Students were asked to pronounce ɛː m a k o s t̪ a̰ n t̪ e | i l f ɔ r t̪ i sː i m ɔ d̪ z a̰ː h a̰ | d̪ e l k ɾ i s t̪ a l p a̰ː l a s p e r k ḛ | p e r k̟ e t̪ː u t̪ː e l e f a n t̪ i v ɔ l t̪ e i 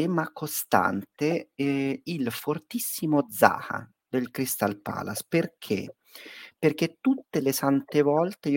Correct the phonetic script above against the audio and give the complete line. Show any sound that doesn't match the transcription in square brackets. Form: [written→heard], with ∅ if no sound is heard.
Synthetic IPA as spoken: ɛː m a k o s t̪ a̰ n t̪ e | i l f [ɔ→o] r t̪ i sː i m [ɔ→o] d̪ z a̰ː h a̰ | d̪ e l k ɾ i s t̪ a l p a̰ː l a s p e r [k→kʰ] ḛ | p e r k̟ e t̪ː u t̪ː e l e [f→s] a n t̪ [i→e] v ɔ l t̪ e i